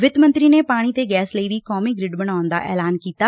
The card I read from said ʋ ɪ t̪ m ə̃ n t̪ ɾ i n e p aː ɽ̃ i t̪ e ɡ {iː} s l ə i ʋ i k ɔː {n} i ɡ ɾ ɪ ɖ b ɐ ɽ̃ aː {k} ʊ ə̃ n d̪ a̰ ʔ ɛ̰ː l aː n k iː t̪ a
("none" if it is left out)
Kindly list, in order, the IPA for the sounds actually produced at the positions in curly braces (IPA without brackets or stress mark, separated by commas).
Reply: ɛː, m, none